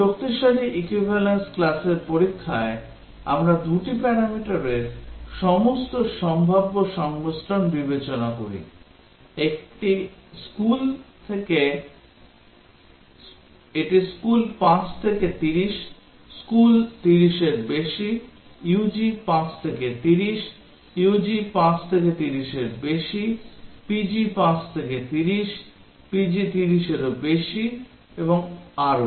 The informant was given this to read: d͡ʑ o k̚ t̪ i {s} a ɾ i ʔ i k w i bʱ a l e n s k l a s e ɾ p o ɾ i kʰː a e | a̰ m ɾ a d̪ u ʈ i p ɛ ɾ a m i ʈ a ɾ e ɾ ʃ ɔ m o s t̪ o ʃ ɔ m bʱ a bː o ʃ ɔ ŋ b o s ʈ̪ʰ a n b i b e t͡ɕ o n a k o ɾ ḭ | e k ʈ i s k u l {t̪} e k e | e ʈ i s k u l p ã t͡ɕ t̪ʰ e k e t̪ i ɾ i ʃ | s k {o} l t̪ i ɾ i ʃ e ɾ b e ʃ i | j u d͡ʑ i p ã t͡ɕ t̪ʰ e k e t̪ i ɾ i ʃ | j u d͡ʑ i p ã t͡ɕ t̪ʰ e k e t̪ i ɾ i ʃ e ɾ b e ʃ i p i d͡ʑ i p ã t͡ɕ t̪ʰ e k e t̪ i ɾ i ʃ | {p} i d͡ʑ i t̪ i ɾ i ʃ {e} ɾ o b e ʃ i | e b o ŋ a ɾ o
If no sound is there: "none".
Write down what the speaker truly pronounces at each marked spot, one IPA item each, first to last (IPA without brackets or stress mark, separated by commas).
ʃ, t̪ʰ, u, p, e